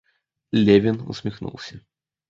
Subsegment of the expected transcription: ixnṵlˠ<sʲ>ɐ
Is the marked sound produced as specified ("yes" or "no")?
yes